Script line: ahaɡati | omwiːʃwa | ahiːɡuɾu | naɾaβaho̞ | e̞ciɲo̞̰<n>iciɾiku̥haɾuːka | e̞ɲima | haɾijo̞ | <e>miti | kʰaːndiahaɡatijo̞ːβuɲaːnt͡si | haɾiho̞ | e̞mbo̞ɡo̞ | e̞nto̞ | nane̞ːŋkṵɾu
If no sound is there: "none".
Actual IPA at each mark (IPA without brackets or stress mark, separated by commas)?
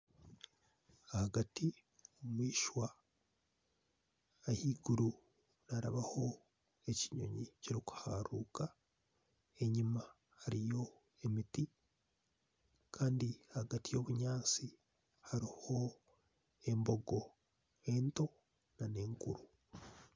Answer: ɲ, e